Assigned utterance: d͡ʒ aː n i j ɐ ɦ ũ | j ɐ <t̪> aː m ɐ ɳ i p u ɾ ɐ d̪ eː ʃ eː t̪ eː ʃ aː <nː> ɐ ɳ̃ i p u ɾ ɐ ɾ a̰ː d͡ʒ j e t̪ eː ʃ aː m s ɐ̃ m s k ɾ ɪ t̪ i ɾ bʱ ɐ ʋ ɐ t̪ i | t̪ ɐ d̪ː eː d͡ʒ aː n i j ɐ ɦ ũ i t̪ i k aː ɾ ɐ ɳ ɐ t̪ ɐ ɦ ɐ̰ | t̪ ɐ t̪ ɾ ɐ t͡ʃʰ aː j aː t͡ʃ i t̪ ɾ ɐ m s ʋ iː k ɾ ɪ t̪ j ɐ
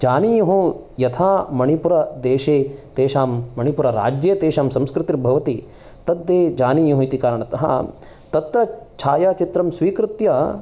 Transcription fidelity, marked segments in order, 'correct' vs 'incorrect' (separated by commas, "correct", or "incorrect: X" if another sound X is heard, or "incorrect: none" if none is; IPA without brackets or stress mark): incorrect: t̪ʰ, incorrect: mː